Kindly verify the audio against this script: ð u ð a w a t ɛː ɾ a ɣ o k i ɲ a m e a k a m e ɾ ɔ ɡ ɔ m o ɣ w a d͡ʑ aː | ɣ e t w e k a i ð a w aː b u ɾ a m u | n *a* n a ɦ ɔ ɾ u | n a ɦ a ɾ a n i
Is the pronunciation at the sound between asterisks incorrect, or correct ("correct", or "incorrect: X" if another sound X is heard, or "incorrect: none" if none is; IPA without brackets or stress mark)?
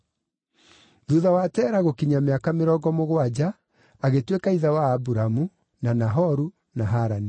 correct